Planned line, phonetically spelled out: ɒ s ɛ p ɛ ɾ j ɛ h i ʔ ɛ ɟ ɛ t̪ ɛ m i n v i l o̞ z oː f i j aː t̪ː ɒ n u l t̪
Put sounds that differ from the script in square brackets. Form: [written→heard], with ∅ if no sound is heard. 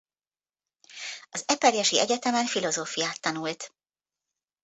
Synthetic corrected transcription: ɒ [s→z] ɛ p ɛ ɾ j ɛ [h→ʃ] i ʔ ɛ ɟ ɛ t̪ ɛ m [i→ɛ] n [v→f] i l o̞ z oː f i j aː t̪ː ɒ n u l t̪